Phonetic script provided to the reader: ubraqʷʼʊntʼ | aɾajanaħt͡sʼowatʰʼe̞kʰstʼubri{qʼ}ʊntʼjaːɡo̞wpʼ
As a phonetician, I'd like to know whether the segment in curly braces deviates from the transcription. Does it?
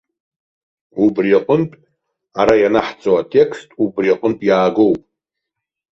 no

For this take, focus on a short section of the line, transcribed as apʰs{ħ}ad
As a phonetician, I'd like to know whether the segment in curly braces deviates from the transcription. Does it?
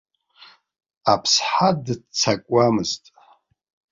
no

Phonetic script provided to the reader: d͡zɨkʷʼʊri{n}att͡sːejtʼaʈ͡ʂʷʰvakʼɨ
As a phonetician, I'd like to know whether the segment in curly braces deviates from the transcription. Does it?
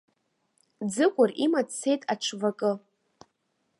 yes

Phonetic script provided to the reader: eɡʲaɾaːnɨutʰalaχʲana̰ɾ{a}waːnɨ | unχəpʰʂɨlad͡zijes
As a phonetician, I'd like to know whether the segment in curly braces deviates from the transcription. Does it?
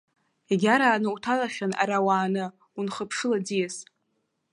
no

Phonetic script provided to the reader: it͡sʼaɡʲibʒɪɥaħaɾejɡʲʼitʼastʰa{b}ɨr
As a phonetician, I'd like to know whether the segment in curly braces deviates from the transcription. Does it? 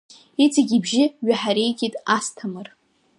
yes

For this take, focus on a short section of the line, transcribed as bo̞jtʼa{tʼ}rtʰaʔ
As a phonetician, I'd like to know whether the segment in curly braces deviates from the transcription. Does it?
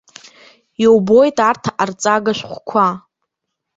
yes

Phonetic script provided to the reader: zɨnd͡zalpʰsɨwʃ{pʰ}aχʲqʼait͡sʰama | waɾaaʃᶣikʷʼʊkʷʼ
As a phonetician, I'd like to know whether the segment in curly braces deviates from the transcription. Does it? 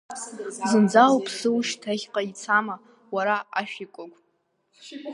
yes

